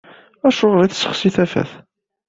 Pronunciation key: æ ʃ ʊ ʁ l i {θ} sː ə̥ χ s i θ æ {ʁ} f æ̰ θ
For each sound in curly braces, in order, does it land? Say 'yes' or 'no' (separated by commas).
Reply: yes, no